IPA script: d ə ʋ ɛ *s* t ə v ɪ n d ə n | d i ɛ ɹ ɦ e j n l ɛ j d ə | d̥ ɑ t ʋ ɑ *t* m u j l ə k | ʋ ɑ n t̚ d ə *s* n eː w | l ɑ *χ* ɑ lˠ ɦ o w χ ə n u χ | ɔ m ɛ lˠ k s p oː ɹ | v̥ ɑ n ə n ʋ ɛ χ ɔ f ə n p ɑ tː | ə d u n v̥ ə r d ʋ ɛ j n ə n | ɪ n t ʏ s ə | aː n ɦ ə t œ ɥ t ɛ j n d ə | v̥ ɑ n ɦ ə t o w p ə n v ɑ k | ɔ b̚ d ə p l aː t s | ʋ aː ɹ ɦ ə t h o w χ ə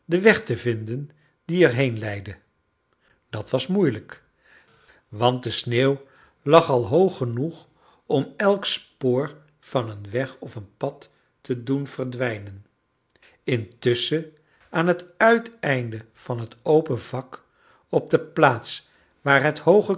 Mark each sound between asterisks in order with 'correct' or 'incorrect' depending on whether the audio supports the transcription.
incorrect: χ, incorrect: s, correct, correct

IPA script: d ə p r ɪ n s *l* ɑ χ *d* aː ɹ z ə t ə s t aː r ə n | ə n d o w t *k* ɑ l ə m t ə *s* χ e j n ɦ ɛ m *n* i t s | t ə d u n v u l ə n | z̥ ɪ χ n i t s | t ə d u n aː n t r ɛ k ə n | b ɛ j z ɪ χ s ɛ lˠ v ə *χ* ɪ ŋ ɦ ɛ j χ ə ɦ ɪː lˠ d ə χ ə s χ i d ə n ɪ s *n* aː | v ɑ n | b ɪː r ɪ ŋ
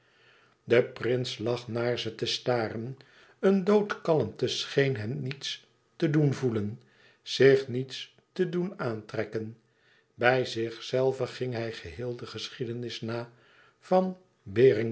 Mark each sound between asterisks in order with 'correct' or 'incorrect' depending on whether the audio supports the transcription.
correct, incorrect: n, correct, correct, correct, correct, correct

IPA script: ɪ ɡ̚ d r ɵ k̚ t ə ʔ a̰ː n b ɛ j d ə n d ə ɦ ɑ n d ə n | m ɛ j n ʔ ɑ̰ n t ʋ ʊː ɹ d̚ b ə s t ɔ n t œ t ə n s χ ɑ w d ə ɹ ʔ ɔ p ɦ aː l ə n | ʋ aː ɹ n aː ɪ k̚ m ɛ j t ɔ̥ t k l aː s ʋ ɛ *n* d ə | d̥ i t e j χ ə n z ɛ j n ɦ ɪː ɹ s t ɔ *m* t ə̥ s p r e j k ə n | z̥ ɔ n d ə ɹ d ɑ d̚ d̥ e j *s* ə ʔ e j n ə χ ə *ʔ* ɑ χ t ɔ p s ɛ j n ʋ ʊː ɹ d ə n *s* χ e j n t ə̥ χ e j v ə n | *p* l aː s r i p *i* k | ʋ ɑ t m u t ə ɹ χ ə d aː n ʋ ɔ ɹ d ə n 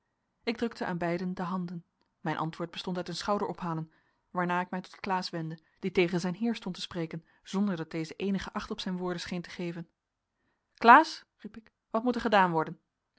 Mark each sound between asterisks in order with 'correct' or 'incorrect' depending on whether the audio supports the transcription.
correct, incorrect: n, incorrect: z, correct, correct, incorrect: k, incorrect: ɪ

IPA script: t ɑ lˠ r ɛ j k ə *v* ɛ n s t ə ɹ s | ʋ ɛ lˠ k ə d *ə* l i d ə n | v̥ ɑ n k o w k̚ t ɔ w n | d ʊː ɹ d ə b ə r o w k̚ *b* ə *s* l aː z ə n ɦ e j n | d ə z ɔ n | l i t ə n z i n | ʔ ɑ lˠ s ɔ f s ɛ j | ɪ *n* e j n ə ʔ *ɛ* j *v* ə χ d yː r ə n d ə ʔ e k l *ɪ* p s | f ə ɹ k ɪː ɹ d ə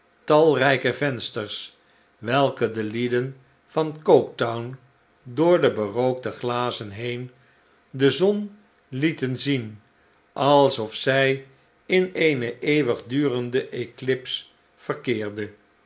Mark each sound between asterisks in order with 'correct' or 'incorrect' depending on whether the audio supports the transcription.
correct, correct, incorrect: d, incorrect: χ, correct, incorrect: e, incorrect: ʋ, correct

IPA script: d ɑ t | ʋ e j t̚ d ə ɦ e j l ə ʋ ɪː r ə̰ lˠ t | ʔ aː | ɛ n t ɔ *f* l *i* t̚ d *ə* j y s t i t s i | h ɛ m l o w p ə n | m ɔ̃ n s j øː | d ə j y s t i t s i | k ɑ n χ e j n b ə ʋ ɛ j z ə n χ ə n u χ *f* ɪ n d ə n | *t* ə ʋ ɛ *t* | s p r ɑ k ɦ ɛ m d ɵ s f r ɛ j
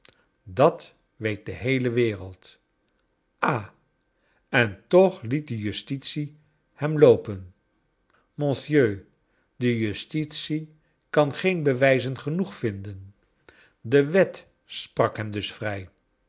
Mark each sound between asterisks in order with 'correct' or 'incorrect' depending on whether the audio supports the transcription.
incorrect: χ, correct, correct, correct, incorrect: d, correct

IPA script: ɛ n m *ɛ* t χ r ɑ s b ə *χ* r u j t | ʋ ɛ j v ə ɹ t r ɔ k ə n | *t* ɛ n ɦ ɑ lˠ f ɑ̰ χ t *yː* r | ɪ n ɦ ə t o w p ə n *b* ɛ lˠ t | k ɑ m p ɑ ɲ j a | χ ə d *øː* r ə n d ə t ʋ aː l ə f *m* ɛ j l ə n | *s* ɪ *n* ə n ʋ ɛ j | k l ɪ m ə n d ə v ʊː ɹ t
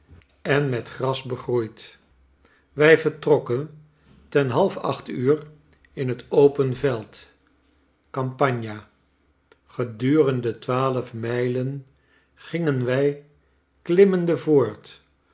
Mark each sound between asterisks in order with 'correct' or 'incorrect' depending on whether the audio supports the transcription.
correct, correct, correct, correct, incorrect: v, incorrect: yː, correct, incorrect: χ, incorrect: ŋ

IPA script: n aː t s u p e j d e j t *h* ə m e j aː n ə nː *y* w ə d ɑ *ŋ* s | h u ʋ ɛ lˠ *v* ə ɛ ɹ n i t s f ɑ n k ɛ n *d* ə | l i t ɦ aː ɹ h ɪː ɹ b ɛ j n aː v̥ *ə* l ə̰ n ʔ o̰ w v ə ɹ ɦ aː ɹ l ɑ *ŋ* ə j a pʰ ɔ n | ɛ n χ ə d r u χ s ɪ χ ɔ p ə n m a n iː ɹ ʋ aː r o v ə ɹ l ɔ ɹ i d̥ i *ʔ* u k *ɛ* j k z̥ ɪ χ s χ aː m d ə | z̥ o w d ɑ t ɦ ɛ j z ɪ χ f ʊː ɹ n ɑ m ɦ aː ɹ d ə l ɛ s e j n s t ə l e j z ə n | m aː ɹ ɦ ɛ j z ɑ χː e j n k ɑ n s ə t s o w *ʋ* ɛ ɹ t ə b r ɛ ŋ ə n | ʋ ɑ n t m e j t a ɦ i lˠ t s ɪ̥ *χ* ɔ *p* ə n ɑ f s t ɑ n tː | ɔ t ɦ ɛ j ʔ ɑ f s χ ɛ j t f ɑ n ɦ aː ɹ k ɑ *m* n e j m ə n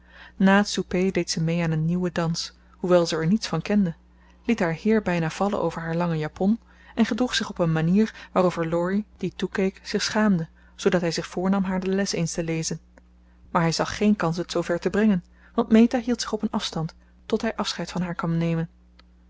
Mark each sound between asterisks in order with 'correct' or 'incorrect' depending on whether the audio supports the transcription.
incorrect: s, incorrect: i, incorrect: n, incorrect: z, correct, incorrect: ɑ, correct, incorrect: t, incorrect: e, incorrect: v, correct, correct, correct

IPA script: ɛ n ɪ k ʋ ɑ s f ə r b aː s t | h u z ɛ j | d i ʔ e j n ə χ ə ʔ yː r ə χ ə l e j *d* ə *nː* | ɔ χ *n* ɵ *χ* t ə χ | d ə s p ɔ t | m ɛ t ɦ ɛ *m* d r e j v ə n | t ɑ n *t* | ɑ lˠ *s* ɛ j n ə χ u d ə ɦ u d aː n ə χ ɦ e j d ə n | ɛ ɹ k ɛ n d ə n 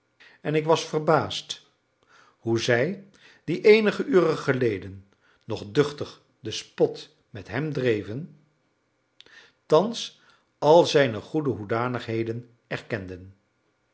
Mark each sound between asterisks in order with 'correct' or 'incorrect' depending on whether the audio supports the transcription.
correct, correct, incorrect: d, correct, correct, incorrect: s, incorrect: z

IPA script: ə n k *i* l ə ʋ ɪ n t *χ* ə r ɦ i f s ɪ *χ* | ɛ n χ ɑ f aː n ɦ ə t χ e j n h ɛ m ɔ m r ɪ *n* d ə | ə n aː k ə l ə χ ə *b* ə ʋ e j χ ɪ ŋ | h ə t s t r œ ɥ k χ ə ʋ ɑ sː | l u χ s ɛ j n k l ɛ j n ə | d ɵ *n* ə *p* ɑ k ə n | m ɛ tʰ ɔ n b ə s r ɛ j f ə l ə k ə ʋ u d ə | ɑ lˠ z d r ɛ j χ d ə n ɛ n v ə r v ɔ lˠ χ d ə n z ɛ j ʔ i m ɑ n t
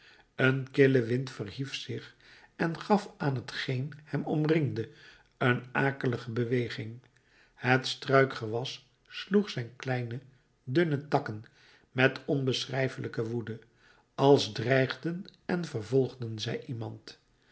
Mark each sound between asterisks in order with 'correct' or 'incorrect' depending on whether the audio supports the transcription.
incorrect: ɪ, incorrect: f, correct, incorrect: ŋ, correct, correct, incorrect: t

